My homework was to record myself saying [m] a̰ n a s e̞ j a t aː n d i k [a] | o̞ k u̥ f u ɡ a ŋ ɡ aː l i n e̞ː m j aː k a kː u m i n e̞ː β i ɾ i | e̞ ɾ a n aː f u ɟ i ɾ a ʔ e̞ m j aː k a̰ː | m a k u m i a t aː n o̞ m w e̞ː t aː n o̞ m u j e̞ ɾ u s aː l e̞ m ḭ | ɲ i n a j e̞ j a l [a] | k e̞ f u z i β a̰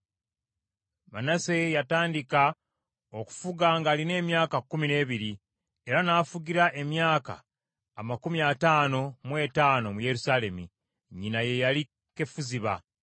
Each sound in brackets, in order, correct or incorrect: correct, correct, incorrect: i

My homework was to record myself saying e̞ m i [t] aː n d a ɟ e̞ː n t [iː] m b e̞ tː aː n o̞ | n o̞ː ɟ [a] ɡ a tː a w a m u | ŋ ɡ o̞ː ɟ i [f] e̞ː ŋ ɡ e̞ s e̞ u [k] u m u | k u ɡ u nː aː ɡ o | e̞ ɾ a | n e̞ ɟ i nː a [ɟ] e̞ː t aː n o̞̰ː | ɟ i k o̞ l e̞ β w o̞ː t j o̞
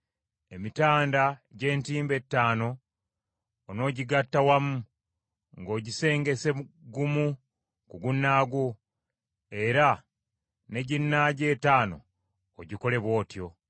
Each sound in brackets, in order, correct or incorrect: correct, correct, incorrect: i, incorrect: s, incorrect: ɡ, correct

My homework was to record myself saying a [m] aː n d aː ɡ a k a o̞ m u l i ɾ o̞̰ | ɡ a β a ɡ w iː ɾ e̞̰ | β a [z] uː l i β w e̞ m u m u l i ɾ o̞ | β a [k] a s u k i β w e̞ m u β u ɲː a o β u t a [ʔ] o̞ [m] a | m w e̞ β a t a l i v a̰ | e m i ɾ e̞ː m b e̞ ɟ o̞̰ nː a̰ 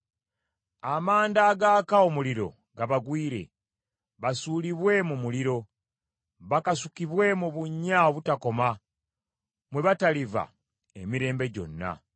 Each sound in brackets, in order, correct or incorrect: correct, incorrect: s, correct, incorrect: k, correct

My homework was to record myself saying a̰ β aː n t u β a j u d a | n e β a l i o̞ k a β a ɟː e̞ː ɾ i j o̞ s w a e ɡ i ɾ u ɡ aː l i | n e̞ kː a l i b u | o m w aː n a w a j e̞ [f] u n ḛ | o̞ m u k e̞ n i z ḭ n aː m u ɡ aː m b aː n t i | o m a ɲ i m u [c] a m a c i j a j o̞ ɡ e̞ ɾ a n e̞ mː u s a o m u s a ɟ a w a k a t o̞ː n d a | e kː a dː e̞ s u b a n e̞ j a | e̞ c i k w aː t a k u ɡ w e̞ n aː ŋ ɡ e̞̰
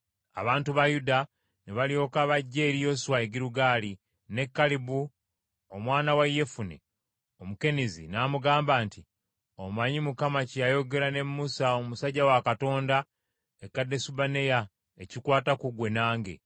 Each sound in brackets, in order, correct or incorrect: correct, incorrect: k

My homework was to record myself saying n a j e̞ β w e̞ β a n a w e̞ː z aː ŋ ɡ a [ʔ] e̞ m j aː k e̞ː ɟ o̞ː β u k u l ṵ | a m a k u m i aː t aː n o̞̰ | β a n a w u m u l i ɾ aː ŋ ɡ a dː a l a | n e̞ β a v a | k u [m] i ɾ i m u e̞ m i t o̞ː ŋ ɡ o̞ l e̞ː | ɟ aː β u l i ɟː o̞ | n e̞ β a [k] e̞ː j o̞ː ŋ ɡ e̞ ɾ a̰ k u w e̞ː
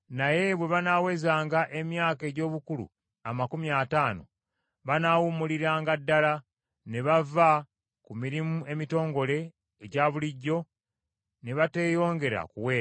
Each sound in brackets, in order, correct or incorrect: correct, correct, incorrect: t

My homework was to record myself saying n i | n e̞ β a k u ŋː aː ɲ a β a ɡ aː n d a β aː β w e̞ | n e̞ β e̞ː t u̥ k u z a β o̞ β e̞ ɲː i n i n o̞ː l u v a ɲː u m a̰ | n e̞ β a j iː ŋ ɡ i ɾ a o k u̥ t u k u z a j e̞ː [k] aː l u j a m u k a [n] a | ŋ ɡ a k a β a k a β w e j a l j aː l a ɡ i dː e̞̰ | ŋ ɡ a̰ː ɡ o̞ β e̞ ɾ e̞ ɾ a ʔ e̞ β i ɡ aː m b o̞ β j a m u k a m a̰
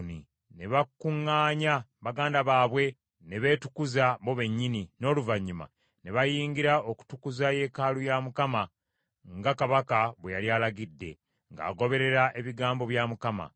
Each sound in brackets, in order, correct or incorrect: correct, incorrect: m

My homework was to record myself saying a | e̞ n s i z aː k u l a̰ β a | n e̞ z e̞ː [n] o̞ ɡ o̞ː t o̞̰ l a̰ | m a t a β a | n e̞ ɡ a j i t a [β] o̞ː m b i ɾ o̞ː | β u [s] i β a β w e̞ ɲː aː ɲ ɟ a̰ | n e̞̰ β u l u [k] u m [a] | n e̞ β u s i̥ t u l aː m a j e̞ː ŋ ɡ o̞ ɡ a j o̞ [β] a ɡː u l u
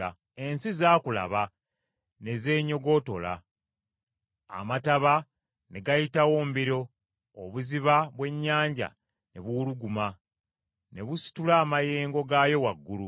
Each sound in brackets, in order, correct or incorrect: incorrect: ɲ, incorrect: w, incorrect: z, incorrect: ɡ, correct, incorrect: w

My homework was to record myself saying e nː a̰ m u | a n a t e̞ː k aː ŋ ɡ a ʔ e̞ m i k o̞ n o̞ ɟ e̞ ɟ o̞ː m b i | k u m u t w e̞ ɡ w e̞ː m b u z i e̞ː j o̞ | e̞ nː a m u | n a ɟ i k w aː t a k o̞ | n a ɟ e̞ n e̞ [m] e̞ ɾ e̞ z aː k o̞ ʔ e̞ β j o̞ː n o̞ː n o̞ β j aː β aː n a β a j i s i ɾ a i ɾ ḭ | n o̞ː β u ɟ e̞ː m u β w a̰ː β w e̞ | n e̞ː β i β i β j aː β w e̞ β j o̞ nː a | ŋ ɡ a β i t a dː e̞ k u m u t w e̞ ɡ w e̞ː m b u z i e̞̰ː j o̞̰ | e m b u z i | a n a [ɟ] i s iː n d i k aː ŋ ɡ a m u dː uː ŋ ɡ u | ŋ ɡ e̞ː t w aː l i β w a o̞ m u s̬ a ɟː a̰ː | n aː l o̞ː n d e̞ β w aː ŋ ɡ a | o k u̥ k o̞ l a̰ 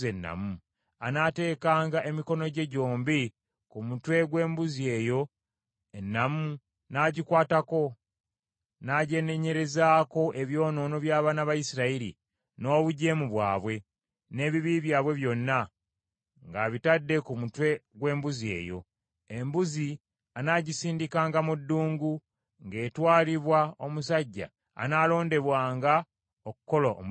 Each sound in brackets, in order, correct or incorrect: incorrect: ɲ, correct

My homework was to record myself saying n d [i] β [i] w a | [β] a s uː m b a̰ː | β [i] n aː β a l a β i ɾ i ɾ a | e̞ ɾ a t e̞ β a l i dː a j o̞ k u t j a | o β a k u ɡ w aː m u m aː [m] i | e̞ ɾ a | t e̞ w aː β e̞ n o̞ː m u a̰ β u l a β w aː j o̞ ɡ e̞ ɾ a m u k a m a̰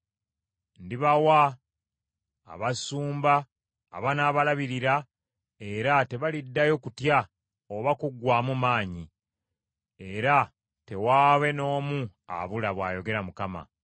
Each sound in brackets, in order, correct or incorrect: correct, incorrect: a, correct, incorrect: a, incorrect: ɲ

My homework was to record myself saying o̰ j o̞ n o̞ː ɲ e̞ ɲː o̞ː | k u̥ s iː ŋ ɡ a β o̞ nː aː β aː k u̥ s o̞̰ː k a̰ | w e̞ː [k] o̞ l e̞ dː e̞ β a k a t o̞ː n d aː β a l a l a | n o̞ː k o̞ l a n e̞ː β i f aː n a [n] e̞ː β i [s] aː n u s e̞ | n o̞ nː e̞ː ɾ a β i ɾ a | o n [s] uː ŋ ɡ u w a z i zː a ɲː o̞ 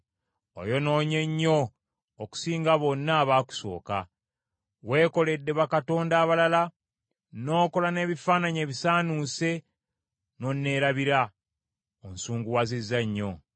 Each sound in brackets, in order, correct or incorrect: correct, incorrect: ɲ, correct, correct

